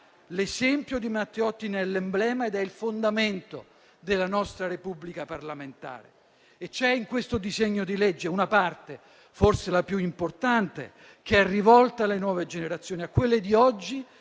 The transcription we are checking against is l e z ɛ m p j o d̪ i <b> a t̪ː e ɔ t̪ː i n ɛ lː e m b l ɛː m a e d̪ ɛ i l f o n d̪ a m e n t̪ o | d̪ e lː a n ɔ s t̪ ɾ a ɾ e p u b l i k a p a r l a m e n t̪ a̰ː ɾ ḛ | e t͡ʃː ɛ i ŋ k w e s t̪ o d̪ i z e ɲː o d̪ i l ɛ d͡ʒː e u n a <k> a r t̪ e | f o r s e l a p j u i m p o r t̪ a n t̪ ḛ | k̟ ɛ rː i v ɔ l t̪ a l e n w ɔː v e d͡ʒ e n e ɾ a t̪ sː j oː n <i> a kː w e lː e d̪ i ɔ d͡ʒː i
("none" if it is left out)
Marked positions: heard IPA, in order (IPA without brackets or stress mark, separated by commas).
m, p, i